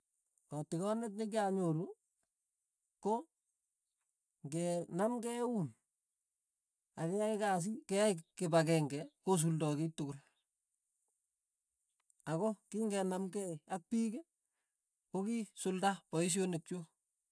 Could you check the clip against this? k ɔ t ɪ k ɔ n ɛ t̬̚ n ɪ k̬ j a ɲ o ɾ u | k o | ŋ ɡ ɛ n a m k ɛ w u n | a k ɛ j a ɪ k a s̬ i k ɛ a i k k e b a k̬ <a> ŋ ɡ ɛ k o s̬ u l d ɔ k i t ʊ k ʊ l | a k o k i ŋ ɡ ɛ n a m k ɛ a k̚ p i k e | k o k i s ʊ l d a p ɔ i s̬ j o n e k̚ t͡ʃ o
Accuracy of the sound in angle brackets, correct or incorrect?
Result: incorrect